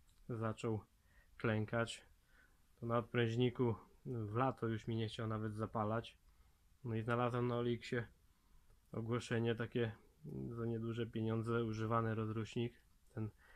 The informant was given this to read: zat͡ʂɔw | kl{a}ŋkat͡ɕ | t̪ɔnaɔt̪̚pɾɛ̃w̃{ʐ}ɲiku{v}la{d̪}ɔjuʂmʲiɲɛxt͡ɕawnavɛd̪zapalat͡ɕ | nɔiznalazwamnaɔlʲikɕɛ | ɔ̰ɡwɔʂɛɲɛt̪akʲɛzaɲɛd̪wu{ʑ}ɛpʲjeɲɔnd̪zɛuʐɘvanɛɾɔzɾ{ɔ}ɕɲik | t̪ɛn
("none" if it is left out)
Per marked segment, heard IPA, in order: ɛ, ʑ, v, t̪, ʐ, u

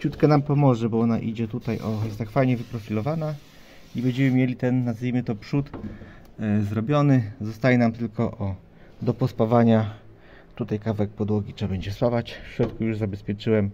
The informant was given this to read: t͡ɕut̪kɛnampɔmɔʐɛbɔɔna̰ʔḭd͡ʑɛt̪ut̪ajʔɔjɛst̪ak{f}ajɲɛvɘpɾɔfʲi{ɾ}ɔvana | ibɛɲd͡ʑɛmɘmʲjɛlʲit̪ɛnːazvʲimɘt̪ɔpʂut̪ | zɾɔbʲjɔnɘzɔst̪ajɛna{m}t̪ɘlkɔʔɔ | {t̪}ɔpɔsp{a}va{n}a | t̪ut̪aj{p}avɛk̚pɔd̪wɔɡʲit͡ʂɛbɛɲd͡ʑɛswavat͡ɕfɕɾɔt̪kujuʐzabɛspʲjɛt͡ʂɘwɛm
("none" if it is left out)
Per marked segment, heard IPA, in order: f, l, m, d̪, a, ɲ, k

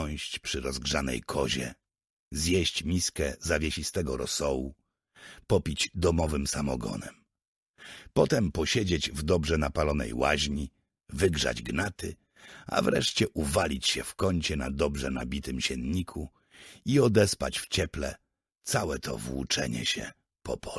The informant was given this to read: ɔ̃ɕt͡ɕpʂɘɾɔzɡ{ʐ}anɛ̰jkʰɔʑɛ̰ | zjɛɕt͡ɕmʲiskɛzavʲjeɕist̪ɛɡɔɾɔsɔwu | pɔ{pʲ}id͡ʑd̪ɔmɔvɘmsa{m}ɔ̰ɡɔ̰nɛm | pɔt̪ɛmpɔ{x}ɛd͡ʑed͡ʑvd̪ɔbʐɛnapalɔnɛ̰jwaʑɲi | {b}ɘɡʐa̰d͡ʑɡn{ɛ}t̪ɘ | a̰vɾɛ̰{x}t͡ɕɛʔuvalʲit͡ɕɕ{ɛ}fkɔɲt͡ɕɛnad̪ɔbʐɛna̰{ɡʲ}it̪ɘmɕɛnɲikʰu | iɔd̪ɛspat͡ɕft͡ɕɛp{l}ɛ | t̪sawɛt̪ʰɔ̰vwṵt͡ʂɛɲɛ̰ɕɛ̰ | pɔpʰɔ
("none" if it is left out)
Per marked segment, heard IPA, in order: ʐ, pʲ, m, ɕ, v, a, ʂ, ɛ, bʲ, l

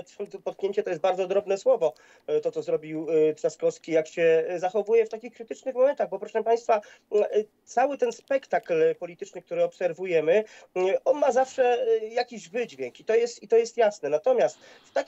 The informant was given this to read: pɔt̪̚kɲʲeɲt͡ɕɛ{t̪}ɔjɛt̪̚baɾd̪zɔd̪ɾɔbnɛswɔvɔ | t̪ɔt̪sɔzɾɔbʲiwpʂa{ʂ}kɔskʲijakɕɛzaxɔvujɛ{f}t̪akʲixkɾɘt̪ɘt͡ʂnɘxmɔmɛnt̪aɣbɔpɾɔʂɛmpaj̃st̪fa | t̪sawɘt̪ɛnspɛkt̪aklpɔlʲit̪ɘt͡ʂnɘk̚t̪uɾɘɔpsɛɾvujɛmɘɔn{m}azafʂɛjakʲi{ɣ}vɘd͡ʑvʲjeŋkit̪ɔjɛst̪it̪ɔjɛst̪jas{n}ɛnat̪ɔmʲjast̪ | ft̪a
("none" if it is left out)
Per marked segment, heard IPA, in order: t̪, s, f, m, ʑ, n

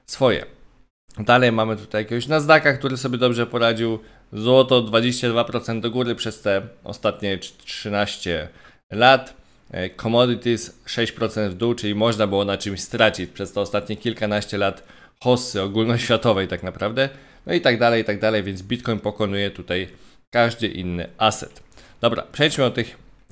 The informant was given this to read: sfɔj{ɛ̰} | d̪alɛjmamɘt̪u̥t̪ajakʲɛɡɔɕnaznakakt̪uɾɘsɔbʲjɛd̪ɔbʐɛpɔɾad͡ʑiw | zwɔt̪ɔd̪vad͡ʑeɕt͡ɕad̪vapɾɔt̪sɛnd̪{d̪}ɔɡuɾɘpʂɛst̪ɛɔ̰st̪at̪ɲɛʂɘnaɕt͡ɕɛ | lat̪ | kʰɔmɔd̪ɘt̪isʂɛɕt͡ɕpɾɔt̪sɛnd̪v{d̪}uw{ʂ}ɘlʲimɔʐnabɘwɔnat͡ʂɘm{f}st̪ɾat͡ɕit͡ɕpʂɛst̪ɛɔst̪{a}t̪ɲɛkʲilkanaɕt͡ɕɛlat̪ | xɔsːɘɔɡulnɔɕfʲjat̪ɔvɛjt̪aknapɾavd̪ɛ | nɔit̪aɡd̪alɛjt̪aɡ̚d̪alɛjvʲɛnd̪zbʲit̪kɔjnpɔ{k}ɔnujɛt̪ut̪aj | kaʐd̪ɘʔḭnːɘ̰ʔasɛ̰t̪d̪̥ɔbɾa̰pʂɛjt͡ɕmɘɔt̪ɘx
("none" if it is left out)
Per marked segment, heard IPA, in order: ɛ̰, d̪, d̪, t͡ʂ, ɕ, a, k

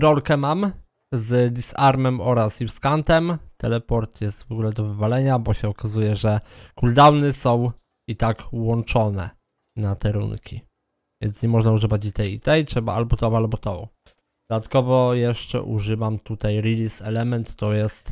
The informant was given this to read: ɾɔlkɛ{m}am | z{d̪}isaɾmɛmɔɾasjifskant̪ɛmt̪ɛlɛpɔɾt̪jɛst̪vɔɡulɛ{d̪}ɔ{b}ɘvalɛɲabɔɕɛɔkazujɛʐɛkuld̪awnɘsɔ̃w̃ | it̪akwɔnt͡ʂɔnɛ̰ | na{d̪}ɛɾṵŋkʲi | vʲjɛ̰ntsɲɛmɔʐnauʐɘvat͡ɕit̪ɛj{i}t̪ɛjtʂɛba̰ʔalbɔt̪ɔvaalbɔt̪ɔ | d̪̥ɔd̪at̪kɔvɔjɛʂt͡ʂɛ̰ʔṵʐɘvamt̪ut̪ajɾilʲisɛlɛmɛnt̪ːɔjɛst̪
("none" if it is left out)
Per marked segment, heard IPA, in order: m, d̪, d̪, v, t̪, i

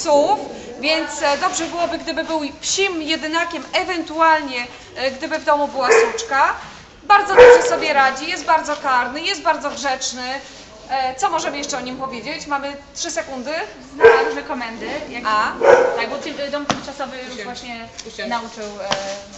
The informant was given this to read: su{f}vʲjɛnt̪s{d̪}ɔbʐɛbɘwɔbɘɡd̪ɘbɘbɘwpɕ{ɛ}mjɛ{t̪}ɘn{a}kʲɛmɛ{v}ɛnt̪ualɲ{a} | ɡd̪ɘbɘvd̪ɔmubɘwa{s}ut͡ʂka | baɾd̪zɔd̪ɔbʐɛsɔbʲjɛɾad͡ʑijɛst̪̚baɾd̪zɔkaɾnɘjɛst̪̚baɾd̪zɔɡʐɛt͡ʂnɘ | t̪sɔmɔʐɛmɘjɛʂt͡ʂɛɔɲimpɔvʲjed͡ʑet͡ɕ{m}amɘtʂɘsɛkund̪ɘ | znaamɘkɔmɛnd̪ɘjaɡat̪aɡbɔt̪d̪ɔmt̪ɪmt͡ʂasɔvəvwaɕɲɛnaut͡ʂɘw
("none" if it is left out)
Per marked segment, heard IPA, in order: f, d̪, i, d̪, a, v, ɛ, s, m

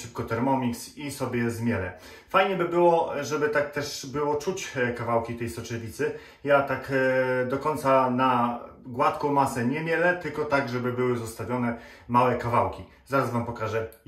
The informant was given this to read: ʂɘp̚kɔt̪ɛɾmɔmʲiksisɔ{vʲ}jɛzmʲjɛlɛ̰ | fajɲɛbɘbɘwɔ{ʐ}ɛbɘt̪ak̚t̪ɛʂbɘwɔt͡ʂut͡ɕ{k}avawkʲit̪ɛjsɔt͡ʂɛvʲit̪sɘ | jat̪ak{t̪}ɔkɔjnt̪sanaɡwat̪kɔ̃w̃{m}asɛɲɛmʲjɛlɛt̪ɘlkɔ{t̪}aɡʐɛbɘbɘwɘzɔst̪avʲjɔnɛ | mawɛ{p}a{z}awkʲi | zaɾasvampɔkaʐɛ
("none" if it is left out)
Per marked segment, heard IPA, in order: bʲ, ʐ, k, d̪, m, t̪, k, v

